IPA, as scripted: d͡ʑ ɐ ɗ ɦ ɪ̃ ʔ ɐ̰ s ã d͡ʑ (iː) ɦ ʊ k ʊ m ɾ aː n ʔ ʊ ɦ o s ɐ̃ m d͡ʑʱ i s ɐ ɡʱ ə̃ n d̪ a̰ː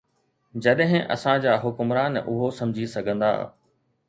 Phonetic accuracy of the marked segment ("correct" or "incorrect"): incorrect